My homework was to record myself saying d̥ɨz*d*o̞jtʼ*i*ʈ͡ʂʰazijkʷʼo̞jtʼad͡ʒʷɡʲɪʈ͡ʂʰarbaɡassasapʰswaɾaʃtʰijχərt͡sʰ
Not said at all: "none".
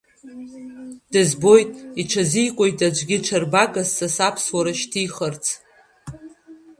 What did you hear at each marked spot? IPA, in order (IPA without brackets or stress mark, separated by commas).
b, i